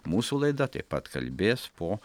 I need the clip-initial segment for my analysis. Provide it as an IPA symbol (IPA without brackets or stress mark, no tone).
m